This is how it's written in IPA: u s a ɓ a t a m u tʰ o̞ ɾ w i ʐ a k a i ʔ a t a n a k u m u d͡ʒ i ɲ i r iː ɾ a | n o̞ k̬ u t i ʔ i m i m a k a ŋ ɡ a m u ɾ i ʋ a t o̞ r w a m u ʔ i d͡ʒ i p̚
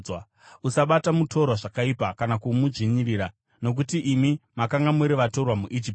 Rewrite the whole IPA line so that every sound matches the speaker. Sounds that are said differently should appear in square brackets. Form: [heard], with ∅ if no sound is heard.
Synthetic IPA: u s a ɓ a t a m u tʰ o̞ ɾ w [a] ʐ a k a i [p] a [k] a n a k u m u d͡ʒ i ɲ i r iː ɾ a | n o̞ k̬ u t i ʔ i m i m a k a ŋ ɡ a m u ɾ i ʋ a t o̞ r w a m u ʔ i d͡ʒ i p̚